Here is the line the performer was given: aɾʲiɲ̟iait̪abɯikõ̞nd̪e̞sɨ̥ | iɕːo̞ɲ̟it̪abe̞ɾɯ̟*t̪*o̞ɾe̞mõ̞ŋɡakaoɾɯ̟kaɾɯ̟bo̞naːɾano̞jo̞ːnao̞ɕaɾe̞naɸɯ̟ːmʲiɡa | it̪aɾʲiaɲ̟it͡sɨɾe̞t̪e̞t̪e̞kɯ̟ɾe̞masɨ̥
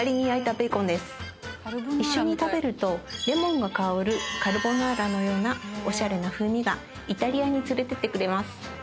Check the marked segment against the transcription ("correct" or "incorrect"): correct